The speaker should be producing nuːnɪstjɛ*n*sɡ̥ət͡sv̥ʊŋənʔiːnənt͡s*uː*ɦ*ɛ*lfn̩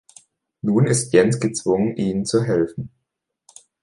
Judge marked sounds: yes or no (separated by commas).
yes, no, yes